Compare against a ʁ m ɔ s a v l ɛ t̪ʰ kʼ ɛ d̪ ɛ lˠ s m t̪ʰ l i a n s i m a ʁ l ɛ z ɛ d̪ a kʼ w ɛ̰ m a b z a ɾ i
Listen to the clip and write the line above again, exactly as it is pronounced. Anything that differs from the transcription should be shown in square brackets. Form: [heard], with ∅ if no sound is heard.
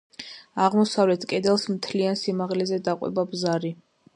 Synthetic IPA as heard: a ʁ m ɔ s a v l ɛ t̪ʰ kʼ ɛ d̪ ɛ lˠ s m t̪ʰ l i a n s i m a ʁ l ɛ z ɛ d̪ a [qʼ] w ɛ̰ [b] a b z a ɾ i